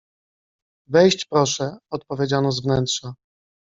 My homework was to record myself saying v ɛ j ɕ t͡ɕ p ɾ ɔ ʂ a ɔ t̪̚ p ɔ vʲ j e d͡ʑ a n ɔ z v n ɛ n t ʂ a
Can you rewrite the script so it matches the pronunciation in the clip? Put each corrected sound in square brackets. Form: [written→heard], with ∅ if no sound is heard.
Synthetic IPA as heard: v ɛ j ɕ t͡ɕ p ɾ ɔ ʂ [a→ɛ] ɔ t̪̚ p ɔ vʲ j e d͡ʑ a n ɔ z v n ɛ n t ʂ a